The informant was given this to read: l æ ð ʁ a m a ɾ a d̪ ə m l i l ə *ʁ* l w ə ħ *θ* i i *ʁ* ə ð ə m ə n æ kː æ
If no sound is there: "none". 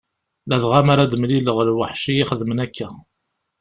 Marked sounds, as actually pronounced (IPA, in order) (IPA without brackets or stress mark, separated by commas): ʁ, ʃ, χ